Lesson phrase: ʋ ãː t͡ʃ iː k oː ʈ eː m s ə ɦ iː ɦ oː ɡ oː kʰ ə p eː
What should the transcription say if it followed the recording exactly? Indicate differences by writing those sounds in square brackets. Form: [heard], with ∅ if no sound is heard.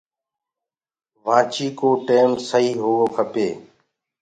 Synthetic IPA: ʋ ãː t͡ʃ iː k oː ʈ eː m s ə ɦ iː ɦ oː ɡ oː kʰ ə p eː